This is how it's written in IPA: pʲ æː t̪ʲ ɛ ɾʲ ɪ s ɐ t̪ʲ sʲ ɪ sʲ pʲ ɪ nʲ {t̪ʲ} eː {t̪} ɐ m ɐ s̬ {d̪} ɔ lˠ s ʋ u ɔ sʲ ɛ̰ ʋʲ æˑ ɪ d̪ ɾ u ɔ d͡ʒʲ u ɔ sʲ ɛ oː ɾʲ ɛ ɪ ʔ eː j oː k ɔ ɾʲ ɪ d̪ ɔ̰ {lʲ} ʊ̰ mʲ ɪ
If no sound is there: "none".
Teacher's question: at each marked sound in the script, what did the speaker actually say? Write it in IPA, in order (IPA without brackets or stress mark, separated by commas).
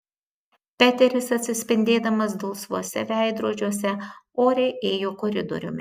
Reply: d̪ʲ, d̪, d̪, ɾʲ